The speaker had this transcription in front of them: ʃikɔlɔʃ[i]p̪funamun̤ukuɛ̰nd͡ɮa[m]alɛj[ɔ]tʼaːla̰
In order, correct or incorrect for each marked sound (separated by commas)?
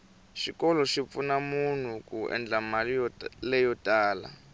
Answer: correct, correct, correct